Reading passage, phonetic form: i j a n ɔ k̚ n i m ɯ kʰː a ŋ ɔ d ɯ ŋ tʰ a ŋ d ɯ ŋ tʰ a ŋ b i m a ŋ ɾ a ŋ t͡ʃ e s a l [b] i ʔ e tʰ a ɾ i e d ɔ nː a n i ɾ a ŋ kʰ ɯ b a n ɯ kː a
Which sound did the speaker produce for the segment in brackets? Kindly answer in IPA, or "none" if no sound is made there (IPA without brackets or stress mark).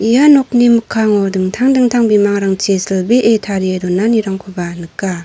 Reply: b